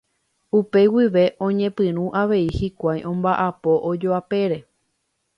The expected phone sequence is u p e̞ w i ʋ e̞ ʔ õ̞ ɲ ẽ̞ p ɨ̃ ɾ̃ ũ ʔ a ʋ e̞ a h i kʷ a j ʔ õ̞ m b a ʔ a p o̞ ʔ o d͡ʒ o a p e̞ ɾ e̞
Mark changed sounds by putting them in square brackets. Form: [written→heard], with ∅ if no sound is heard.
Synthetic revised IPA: u p e̞ w i ʋ e̞ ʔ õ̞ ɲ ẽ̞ p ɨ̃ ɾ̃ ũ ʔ a ʋ e̞ [a→i] h i kʷ a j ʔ õ̞ m b a ʔ a p o̞ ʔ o d͡ʒ o a p e̞ ɾ e̞